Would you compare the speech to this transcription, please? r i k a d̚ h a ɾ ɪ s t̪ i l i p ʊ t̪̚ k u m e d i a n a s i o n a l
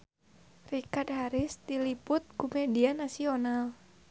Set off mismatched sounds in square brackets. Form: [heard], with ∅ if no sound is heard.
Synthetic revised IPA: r i k a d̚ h a ɾ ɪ s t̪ i l i p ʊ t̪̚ k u m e d i a n a s i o n a l